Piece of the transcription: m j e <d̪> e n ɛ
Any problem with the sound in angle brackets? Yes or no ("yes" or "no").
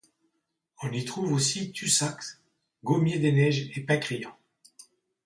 no